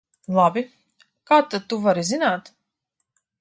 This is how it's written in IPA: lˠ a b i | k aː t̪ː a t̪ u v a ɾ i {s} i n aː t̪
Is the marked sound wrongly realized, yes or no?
yes